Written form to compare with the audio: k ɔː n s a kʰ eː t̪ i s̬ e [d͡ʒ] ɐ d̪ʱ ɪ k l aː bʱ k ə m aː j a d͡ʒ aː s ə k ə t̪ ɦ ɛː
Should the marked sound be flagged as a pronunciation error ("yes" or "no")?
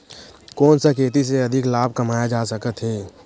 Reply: yes